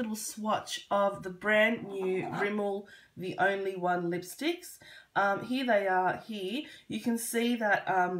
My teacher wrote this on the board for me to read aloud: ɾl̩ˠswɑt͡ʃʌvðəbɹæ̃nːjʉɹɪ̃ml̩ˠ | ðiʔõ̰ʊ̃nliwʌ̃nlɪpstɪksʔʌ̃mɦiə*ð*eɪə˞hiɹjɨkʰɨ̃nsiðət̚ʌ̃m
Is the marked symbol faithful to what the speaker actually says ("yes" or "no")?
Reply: yes